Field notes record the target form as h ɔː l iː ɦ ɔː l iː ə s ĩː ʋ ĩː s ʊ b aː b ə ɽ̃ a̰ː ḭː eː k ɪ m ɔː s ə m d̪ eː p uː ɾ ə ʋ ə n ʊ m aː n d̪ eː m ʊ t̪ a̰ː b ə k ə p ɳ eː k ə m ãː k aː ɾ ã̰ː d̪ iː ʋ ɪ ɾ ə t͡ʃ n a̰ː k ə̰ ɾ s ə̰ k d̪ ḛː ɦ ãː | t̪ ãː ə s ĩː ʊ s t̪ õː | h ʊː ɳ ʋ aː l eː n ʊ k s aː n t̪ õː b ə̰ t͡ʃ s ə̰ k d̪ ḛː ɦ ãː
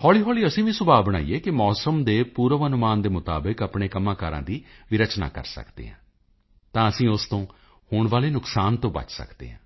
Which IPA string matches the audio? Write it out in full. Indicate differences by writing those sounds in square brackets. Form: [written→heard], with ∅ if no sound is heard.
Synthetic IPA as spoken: h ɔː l iː ɦ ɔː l iː ə s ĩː ʋ ĩː s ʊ b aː b ə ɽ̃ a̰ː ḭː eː k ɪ m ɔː s ə m d̪ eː p uː ɾ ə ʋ ə n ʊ m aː n d̪ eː m ʊ t̪ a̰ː b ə k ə p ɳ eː k ə m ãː k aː ɾ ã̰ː d̪ iː ʋ ɪ ɾ ə t͡ʃ n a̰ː k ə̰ ɾ s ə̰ k d̪ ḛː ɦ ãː | t̪ ãː ə s ĩː ʊ s t̪ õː | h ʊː ɳ ʋ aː l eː n ʊ k s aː n t̪ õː b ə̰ t͡ʃ s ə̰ k d̪ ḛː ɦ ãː